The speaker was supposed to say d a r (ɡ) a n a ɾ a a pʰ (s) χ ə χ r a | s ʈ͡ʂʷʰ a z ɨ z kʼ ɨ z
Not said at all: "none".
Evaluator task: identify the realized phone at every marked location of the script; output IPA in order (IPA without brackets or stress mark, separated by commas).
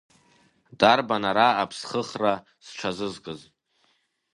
b, s